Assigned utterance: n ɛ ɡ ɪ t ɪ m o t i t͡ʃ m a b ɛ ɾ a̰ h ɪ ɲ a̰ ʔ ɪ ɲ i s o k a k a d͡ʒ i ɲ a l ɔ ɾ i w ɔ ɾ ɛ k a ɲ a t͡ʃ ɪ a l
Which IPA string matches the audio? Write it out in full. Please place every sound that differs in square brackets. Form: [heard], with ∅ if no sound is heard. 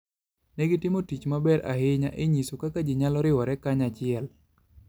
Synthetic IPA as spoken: n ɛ ɡ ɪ t ɪ m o t i t͡ʃ m a b ɛ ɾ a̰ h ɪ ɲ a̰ ʔ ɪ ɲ i s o k a k a d͡ʒ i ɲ a l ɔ ɾ [ɪ] w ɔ ɾ ɛ k a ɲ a t͡ʃ ɪ [ɛ] l